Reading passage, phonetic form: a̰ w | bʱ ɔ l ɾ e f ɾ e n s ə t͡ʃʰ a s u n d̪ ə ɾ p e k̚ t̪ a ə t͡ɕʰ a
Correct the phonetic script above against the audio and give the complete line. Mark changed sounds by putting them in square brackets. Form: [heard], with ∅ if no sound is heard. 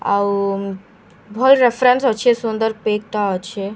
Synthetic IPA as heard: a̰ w | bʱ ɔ l ɾ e f ɾ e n s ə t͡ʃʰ [e] s u n d̪ ə ɾ p e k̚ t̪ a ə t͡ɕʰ [e]